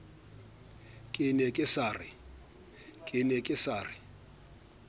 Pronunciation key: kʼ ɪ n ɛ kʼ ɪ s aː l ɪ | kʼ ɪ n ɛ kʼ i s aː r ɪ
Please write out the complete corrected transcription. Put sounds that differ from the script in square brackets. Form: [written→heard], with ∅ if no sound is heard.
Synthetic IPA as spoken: kʼ ɪ n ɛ kʼ ɪ s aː [l→r] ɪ | kʼ ɪ n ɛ kʼ [i→ɪ] s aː r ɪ